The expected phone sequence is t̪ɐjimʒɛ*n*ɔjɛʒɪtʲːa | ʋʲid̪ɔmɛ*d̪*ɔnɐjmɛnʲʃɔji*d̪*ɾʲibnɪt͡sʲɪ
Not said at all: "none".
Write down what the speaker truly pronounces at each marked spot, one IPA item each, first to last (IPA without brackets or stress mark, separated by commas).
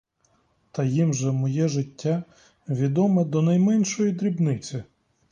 m, d̪, d̪